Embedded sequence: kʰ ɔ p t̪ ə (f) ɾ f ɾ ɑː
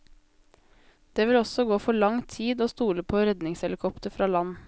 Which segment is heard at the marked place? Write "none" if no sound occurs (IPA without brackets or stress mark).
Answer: none